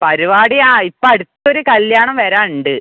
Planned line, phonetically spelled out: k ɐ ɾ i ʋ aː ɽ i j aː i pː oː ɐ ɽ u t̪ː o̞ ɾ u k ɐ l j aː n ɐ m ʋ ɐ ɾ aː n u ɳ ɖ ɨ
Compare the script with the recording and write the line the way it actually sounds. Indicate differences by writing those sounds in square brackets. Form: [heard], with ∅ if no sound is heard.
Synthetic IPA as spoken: [p] ɐ ɾ i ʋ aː ɽ i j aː i pː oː ɐ ɽ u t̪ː o̞ ɾ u k ɐ l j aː [ɳ] ɐ m ʋ ɐ ɾ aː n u ɳ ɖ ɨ

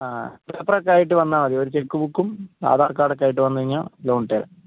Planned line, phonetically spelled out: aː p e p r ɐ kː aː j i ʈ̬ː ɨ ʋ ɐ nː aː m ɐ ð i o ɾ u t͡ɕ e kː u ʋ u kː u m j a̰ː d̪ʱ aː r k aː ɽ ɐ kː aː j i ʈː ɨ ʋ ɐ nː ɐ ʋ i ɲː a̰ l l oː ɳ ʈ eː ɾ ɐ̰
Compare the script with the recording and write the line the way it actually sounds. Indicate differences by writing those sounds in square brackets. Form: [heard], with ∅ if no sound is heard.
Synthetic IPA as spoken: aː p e p r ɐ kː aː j i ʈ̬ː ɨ ʋ ɐ nː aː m ɐ ð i o ɾ u t͡ɕ e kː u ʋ u kː u m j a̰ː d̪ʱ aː r k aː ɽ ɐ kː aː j i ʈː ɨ ʋ ɐ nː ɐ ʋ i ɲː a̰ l l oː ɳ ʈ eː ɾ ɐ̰

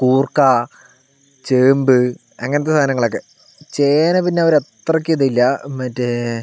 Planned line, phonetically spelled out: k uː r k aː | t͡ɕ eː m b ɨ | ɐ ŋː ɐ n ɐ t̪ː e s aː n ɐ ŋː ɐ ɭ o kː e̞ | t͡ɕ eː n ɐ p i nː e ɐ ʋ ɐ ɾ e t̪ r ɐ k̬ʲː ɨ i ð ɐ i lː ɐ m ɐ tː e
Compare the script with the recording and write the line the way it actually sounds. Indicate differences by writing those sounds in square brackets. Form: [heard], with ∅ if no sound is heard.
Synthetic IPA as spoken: k uː r k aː | t͡ɕ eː m b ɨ | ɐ ŋː ɐ n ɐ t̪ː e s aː n ɐ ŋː ɐ ɭ o kː e̞ | t͡ɕ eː n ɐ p i nː e ɐ ʋ ɐ ɾ e t̪ r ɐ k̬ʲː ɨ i ð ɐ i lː ɐ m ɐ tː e

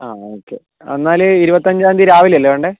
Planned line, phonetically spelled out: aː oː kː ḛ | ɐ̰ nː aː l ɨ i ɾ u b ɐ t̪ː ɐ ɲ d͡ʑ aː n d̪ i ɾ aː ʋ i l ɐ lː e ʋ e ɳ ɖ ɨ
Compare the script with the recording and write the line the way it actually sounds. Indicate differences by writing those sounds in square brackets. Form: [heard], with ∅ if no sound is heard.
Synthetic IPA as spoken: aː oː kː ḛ | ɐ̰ nː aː l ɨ i ɾ u b ɐ t̪ː ɐ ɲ d͡ʑ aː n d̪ i ɾ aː ʋ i l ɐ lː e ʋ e ɳ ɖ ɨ

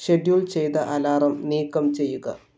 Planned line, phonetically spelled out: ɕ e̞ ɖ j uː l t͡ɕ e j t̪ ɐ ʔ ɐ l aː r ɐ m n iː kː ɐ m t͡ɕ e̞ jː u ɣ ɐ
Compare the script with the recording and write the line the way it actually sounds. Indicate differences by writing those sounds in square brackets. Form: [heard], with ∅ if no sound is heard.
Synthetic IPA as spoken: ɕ e̞ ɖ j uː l t͡ɕ e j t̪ ɐ ʔ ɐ l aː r ɐ m n iː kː ɐ m t͡ɕ e̞ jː u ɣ ɐ

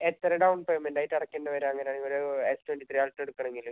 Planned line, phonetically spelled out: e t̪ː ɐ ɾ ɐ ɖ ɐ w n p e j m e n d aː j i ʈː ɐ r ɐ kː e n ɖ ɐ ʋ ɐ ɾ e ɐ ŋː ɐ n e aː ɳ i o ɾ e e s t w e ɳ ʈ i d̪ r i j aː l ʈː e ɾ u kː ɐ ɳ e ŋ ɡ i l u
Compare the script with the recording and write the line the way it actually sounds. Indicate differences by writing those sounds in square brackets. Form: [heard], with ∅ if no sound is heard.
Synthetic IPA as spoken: e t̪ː ɐ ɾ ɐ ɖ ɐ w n p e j m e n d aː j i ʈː ɐ [ɽ] ɐ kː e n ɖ ɐ ʋ ɐ ɾ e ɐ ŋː ɐ n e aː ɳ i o ɾ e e s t w e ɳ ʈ i [t̪] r i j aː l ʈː e [ɽ] u kː ɐ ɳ e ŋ ɡ i l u

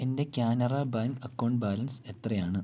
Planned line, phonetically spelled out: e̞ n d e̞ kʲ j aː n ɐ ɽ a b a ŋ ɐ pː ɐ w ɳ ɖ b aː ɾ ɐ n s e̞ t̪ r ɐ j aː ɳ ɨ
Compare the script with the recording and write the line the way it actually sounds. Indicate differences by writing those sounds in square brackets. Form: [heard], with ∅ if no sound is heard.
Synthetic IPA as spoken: e̞ n d e̞ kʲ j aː n ɐ [r] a b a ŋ ɐ [kː] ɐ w ɳ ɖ b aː [l] ɐ n s e̞ t̪ r ɐ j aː ɳ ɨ

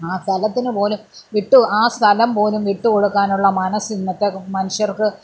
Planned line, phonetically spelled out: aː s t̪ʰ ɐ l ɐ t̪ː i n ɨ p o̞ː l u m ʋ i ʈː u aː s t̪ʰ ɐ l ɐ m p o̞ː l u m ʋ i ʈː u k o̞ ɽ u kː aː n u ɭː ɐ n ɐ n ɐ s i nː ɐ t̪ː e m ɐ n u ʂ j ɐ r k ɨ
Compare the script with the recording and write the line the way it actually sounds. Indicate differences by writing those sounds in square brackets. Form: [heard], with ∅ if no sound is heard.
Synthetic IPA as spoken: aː s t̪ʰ ɐ l ɐ t̪ː i n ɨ p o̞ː l u m ʋ i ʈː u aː s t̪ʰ ɐ l ɐ m p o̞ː l u m ʋ i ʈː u k o̞ ɽ u kː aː n u ɭː ɐ [m] ɐ n ɐ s i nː ɐ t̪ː e m ɐ n u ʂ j ɐ r k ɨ

